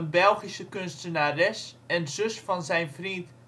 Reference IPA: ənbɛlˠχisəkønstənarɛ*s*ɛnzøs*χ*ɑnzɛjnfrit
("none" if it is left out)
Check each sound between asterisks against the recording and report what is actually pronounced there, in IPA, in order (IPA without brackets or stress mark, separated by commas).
s, f